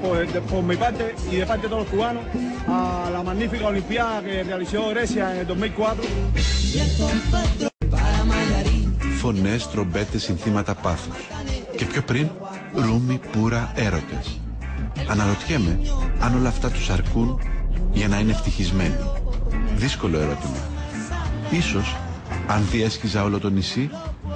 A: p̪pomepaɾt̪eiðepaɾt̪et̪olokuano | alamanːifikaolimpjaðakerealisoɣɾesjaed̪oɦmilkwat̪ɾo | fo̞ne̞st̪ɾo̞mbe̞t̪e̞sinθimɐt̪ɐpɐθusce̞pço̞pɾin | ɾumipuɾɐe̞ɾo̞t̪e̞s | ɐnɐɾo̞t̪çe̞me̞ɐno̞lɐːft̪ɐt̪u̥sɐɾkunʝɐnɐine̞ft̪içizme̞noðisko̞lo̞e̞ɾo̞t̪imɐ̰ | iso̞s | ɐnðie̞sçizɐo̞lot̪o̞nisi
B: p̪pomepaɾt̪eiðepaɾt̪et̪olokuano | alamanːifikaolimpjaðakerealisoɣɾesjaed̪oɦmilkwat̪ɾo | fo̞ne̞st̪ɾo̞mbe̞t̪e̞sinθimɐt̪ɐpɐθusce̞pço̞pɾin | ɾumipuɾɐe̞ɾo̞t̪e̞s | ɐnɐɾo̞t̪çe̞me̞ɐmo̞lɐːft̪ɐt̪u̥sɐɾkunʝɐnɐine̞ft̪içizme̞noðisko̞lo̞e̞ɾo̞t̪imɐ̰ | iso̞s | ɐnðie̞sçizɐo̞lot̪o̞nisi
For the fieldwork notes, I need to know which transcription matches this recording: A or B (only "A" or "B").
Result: A